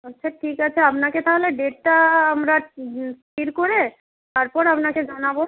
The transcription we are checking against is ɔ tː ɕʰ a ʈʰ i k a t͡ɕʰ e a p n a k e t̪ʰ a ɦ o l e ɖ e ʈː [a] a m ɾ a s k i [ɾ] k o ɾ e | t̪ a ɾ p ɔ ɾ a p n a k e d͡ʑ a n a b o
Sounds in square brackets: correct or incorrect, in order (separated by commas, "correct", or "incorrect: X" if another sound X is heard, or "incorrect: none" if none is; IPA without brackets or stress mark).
correct, correct